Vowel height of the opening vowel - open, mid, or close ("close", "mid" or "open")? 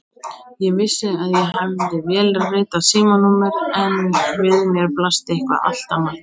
mid